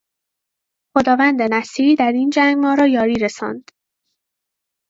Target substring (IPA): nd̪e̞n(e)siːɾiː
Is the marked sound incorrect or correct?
incorrect